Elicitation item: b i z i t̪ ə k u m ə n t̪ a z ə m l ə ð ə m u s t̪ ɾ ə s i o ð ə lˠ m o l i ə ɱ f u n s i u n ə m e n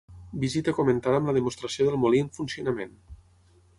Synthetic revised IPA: b i z i t̪ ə k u m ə n t̪ a ð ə m l ə ð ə m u s t̪ ɾ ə s i o ð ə lˠ m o l i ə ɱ f u n s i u n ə m e n